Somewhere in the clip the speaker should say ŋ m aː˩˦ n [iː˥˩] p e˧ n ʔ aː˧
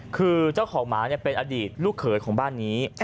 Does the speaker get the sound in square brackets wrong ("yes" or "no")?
yes